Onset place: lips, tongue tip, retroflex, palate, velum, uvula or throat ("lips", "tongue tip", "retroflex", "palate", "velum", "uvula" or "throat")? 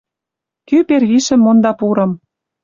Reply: velum